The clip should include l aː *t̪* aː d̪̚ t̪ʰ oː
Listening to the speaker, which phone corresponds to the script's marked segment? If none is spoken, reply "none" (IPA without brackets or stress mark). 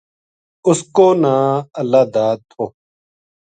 d̪